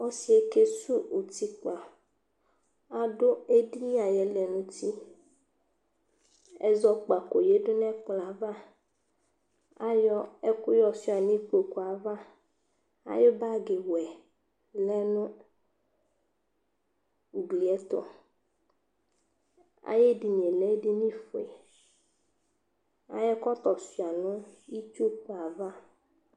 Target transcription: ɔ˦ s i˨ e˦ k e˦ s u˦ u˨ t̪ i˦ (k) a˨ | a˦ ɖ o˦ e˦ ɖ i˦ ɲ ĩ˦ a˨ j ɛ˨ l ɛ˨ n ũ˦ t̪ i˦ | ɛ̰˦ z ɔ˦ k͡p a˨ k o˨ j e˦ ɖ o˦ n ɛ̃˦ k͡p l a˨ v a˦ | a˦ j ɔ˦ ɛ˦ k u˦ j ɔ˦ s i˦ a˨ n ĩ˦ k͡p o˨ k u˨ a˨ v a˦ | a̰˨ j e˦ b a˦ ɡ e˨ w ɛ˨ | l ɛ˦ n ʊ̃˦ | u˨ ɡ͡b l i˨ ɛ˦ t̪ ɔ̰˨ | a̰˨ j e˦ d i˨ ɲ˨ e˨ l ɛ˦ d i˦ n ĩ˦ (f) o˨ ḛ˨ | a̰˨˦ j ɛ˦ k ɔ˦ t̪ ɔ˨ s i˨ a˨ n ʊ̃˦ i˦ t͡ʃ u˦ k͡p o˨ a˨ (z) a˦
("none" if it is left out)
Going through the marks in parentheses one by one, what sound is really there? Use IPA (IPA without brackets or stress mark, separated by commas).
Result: k͡p, f, v